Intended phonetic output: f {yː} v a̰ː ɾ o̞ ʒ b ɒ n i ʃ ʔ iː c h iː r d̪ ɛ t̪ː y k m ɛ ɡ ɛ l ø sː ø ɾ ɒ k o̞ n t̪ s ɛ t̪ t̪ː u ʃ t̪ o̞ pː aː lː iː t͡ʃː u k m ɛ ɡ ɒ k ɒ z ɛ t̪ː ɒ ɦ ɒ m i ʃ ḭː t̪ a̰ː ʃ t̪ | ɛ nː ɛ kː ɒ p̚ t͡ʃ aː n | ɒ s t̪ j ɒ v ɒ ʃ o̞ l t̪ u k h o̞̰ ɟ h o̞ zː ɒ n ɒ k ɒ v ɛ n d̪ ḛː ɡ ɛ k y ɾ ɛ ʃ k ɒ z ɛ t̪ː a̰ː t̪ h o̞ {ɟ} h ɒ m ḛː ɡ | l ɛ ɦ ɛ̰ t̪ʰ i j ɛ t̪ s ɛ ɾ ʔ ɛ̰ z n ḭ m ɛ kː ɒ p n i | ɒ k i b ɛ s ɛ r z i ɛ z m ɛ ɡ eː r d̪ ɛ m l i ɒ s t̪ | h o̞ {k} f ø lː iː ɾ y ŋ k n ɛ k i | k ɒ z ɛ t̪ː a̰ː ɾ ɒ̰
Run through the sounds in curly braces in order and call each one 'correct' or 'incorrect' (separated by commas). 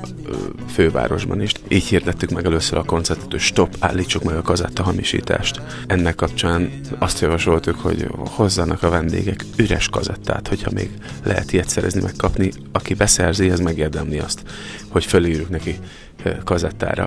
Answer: incorrect, incorrect, incorrect